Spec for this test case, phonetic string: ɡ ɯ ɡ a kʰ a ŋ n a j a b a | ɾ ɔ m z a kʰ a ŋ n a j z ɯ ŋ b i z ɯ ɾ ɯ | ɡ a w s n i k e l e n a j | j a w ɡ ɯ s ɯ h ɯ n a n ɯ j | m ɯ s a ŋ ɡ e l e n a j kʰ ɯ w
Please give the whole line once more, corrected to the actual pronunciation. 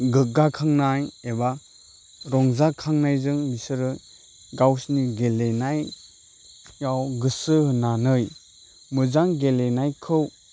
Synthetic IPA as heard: ɡ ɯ ɡ a kʰ a ŋ n a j e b a | ɾ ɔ ŋ z a kʰ a ŋ n a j z ɯ ŋ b i s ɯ ɾ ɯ | ɡ a w s n i ɡ e l e n a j | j a w ɡ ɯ s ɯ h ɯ n a n ɯ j | m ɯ z a ŋ ɡ e l e n a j kʰ ɯ w